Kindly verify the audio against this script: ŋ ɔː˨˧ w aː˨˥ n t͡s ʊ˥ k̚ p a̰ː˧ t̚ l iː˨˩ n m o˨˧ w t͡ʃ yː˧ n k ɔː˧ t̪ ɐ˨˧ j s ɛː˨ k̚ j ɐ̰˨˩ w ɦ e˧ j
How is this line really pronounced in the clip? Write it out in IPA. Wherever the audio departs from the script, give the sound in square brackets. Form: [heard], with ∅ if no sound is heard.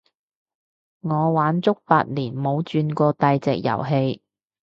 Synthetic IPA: ŋ ɔː˨˧ w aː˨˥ n t͡s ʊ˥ k̚ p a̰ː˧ t̚ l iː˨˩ n m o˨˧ w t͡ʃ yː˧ n k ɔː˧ t̪ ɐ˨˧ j [t͡s] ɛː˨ k̚ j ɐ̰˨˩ w ɦ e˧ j